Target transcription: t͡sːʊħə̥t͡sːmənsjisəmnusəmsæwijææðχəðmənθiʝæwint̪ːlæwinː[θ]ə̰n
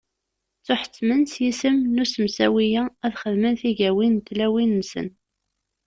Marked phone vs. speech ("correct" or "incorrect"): incorrect